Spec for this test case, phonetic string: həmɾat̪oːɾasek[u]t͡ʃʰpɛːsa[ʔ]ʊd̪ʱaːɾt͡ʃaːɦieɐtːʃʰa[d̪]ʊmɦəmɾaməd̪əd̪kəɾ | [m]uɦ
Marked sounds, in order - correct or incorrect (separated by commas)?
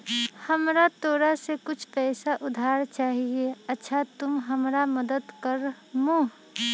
incorrect, correct, incorrect, correct